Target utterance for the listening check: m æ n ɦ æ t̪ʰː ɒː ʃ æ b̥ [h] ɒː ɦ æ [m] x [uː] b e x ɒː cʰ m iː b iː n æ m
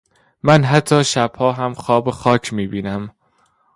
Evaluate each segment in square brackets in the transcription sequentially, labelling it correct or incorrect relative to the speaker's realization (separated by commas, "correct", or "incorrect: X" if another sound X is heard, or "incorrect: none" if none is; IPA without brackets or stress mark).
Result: correct, correct, incorrect: ɒː